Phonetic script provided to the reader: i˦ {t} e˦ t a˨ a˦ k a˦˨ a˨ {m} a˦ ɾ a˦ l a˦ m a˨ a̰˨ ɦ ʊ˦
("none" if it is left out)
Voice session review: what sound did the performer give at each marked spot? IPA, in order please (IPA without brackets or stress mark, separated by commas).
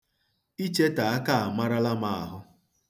t͡ʃ, m